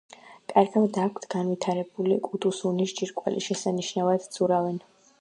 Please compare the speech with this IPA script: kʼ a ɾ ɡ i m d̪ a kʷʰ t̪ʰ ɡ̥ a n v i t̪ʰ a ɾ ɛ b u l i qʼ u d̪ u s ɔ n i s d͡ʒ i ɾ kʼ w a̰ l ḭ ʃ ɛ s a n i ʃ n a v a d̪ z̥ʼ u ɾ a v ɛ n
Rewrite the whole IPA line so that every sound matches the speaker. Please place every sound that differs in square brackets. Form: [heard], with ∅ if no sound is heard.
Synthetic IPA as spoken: kʼ a ɾ ɡ [a] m d̪ a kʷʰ t̪ʰ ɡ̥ a n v i t̪ʰ a ɾ ɛ b u l i [kʼ] u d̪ u s [u] n i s d͡ʒ i ɾ kʼ w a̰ l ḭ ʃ ɛ s a n i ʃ n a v a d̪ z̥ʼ u ɾ a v ɛ n